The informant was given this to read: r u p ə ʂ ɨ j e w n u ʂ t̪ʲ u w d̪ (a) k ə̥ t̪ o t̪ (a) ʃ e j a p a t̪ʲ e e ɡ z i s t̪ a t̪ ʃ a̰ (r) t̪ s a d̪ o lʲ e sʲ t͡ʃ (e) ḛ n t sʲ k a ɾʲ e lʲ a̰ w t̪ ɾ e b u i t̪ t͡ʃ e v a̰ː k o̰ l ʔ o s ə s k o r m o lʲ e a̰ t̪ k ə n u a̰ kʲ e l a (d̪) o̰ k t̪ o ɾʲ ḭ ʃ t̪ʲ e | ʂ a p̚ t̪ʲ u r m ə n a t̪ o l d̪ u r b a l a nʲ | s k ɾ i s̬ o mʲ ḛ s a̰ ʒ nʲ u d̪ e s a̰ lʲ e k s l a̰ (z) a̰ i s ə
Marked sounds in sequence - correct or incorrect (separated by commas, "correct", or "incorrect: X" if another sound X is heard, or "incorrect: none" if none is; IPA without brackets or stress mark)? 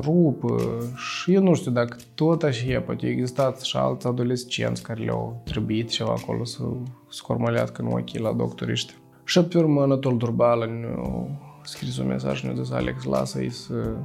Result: correct, correct, incorrect: l, incorrect: i, correct, incorrect: s